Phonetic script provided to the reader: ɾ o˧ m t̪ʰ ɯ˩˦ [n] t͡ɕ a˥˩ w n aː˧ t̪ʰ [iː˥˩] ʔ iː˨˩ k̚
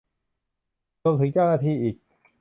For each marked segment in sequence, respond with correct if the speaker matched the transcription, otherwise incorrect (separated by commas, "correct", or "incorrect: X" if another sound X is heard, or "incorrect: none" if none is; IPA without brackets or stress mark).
incorrect: ŋ, incorrect: iː˧